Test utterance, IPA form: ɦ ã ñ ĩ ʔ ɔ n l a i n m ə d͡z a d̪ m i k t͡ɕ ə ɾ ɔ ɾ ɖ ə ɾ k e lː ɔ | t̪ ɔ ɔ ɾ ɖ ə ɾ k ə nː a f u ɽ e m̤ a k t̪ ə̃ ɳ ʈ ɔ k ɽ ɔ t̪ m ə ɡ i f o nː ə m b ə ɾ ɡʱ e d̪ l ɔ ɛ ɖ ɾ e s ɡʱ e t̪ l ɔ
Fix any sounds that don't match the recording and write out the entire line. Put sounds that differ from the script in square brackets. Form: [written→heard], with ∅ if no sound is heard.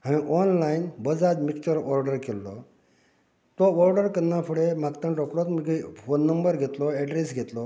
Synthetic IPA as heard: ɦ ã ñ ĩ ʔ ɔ n l a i n [m→b] ə d͡z a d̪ m i k t͡ɕ ə ɾ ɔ ɾ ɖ ə ɾ k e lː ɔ | t̪ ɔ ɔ ɾ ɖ ə ɾ k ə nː a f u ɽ e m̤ a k t̪ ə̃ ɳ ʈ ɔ k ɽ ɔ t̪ m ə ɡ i f o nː ə m b ə ɾ ɡʱ e [d̪→t̪] l ɔ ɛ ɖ ɾ e s ɡʱ e t̪ l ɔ

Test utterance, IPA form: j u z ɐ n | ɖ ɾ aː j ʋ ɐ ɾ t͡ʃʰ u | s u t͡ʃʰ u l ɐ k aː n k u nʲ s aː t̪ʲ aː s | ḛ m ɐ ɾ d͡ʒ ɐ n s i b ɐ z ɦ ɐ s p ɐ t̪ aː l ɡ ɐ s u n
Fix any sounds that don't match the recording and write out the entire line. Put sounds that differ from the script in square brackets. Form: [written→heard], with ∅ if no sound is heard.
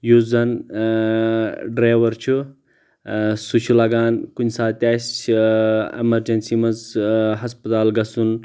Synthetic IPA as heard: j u z ɐ n | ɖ ɾ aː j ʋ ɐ ɾ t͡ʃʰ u | s u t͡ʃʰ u l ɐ [k→ɡ] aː n k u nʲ s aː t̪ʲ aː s | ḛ m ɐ ɾ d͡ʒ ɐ n s i [b→m] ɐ z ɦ ɐ s p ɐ t̪ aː l ɡ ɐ s u n

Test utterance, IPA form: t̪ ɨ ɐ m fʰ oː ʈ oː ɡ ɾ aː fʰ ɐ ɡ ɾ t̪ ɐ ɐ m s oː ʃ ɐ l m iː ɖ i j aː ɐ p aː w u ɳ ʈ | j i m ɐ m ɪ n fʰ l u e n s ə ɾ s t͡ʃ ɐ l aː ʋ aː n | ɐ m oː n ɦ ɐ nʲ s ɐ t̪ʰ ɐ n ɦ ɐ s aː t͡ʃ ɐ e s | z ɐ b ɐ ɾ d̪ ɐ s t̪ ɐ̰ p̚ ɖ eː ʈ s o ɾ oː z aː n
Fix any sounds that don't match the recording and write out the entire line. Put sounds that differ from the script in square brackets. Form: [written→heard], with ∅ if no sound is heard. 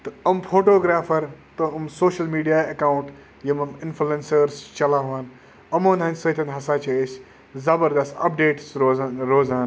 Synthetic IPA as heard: t̪ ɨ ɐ m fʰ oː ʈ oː ɡ ɾ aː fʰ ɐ [ɡ→∅] ɾ t̪ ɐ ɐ m s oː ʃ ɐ l m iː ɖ i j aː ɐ [p→k] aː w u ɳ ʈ | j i m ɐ m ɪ n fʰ l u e n s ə ɾ s t͡ʃ ɐ l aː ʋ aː n | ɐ m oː n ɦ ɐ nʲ s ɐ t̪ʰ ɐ n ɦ ɐ s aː t͡ʃ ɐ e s | z ɐ b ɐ ɾ d̪ ɐ s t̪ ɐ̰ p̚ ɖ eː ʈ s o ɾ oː z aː n

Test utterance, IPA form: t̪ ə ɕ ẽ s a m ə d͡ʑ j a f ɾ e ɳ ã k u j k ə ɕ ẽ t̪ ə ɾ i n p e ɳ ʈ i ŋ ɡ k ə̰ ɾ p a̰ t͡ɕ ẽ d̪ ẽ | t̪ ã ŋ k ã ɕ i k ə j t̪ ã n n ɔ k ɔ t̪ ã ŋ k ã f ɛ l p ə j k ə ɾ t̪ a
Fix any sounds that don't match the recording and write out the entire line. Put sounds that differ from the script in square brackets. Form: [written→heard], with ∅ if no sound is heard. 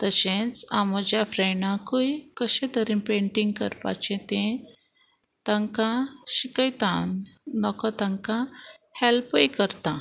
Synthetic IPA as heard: t̪ ə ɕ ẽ [s→t͡s] a m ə d͡ʑ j a f ɾ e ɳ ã k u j k ə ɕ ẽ t̪ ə ɾ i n p e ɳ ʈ i ŋ ɡ k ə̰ ɾ p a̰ t͡ɕ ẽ [d̪→t̪] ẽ | t̪ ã ŋ k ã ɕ i k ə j t̪ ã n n ɔ k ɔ t̪ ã ŋ k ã [f→h] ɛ l p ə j k ə ɾ t̪ a

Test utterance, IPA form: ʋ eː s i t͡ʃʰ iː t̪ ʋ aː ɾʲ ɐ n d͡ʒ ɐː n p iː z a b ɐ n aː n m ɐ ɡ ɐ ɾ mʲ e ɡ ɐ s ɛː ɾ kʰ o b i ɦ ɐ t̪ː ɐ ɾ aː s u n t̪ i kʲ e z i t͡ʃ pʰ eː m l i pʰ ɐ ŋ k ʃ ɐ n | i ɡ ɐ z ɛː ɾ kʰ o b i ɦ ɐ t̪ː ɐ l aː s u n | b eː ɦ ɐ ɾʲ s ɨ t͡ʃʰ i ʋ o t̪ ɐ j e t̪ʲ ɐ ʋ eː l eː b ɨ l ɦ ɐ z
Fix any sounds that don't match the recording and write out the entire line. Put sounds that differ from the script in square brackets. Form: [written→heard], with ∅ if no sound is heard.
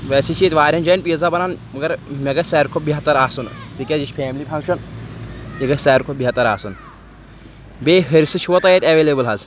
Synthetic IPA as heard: ʋ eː s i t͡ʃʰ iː t̪ ʋ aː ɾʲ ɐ n d͡ʒ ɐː n p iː z a b ɐ n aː n m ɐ ɡ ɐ ɾ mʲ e ɡ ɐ s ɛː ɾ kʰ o b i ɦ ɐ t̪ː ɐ ɾ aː s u n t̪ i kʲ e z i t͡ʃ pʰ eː m l i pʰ ɐ ŋ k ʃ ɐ n | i ɡ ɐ [z→s] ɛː ɾ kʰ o b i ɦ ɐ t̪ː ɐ [l→ɾ] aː s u n | b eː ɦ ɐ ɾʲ s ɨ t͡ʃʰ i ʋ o t̪ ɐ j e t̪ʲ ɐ ʋ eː l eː b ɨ l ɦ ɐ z

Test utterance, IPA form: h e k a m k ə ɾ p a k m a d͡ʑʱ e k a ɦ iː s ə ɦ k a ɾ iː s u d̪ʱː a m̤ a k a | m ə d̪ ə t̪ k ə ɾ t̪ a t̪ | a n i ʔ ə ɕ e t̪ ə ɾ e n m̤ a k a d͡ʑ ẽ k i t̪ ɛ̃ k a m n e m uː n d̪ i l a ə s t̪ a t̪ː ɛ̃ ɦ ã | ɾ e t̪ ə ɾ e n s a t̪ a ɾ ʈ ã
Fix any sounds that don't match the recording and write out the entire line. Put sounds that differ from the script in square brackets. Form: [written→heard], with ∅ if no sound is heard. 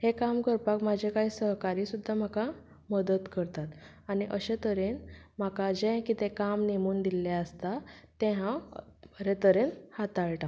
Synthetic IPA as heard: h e k a m k ə ɾ p a k m a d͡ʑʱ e k a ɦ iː s ə ɦ k a ɾ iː s u d̪ʱː a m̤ a k a | m ə d̪ ə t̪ k ə ɾ t̪ a t̪ | a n i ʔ ə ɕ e t̪ ə ɾ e n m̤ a k a d͡ʑ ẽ k i t̪ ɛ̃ k a m n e m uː n d̪ i l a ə s t̪ a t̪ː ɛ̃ ɦ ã | ɾ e t̪ ə ɾ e n [s→h] a t̪ a [ɾ→ɭ] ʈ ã

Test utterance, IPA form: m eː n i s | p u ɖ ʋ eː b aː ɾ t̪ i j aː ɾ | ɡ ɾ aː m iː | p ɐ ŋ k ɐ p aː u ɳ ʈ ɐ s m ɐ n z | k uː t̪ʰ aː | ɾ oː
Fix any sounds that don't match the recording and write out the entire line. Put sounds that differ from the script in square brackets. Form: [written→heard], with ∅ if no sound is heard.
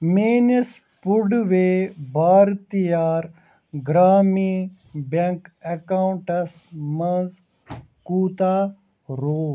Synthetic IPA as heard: m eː n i s | p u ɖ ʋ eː b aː ɾ t̪ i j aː ɾ | ɡ ɾ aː m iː | [p→b] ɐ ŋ k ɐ [p→k] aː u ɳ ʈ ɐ s m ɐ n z | k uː [t̪ʰ→t̪] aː | ɾ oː

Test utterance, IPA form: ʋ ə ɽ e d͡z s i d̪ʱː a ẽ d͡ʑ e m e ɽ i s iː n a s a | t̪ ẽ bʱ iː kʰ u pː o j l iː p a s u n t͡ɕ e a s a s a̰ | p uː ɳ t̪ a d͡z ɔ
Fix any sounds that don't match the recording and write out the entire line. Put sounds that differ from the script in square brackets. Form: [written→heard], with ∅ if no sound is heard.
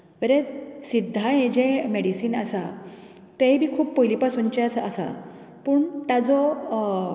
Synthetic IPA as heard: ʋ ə [ɽ→ɾ] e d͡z s i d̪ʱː a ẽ d͡ʑ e m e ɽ i s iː n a s a | t̪ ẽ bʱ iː kʰ [u→uː] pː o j l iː p a s u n t͡ɕ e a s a s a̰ | p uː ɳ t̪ a d͡z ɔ

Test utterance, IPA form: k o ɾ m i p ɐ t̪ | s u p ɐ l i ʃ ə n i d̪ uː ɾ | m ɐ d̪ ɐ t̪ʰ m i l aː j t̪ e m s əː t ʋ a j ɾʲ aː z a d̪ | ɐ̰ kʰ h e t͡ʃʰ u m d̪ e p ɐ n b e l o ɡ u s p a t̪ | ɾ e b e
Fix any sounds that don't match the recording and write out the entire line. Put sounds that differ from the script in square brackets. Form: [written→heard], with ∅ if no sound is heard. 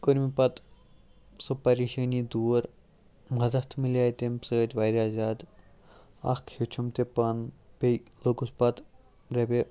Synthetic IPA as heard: k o ɾ m i p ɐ t̪ | s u p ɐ [l→ɾ] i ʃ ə n i d̪ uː ɾ | m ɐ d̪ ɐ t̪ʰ m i l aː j t̪ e m s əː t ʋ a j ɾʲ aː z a d̪ | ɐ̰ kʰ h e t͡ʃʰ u m [d̪→t̪] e p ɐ n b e l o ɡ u s p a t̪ | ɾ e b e

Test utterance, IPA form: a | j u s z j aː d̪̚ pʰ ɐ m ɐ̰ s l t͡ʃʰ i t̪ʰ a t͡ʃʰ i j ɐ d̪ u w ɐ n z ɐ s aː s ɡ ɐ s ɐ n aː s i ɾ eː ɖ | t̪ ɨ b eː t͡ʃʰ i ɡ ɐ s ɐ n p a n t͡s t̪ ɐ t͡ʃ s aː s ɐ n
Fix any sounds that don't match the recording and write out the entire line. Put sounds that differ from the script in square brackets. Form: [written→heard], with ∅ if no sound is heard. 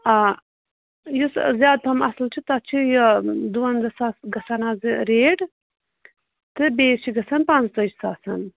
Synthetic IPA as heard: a | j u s z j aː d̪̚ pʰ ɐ m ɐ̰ s l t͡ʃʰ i [t̪ʰ→t̪] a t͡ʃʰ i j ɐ d̪ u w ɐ n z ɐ s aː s ɡ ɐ s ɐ n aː [s→z] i ɾ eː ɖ | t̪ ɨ b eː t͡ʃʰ i ɡ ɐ s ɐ n p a n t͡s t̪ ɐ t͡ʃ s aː s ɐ n

